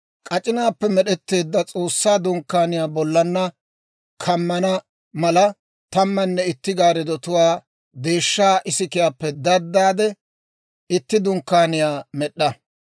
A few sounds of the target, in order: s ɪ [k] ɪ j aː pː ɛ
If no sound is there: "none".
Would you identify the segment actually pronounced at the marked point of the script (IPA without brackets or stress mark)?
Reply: k